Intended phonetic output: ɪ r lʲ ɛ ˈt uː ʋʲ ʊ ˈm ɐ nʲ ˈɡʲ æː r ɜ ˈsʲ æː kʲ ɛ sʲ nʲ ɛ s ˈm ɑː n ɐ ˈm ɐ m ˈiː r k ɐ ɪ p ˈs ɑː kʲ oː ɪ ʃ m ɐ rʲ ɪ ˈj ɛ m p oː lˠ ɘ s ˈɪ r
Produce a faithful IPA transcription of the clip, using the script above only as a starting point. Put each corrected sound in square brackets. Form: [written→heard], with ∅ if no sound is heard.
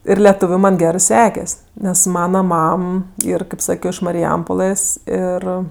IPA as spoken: ɪ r lʲ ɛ ˈt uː ʋʲ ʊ ˈm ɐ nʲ ˈɡʲ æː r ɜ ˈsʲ æː kʲ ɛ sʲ nʲ ɛ s ˈm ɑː n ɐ ˈm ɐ m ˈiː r k ɐ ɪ p ˈs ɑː kʲ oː ɪ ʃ m ɐ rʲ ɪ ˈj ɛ m p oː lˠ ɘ s ˈɪ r